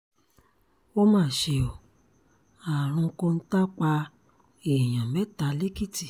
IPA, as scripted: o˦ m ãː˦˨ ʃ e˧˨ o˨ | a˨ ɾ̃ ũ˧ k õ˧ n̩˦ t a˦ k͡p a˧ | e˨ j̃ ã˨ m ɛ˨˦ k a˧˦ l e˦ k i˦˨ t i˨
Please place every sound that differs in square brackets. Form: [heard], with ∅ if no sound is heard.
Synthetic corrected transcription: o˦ m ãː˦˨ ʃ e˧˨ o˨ | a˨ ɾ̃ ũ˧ k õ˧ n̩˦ t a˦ k͡p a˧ | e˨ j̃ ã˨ m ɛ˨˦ [t] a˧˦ l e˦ k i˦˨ t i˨